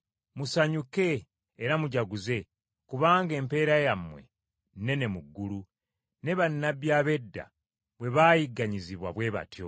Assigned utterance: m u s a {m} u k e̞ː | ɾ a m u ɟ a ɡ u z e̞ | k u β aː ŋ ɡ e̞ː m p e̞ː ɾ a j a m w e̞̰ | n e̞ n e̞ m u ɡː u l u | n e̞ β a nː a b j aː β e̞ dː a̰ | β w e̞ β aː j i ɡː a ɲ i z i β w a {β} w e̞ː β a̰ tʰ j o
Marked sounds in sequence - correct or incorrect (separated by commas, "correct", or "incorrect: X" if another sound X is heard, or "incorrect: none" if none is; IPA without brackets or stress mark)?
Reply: incorrect: ɲ, correct